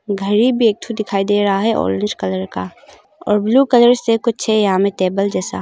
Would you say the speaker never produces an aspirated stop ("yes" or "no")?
no